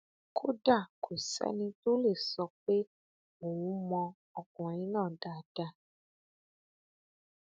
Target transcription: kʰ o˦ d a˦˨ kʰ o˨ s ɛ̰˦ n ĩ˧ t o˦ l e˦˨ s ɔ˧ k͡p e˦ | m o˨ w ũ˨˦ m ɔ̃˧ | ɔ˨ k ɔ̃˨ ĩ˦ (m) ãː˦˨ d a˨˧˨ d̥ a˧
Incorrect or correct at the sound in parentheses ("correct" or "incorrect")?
incorrect